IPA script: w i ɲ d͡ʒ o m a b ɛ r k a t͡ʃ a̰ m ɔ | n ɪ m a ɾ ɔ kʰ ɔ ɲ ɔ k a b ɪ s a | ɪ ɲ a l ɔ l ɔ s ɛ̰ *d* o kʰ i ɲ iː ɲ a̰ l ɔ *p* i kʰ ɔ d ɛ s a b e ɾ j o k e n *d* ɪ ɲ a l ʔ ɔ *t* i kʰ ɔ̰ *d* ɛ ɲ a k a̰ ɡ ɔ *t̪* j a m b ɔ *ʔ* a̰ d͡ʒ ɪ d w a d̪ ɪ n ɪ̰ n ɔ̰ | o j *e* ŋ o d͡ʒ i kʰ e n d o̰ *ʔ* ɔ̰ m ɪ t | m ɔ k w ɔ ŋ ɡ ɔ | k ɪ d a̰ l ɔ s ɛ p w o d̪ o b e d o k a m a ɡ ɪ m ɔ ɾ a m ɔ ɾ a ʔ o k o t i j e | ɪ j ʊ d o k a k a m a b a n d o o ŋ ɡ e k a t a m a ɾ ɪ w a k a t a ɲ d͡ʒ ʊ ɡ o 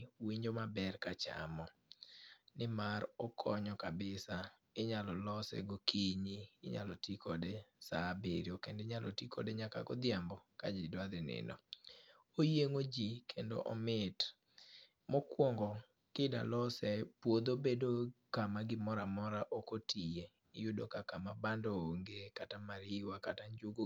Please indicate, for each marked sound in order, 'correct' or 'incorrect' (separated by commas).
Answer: incorrect, incorrect, correct, correct, correct, incorrect, incorrect, correct, correct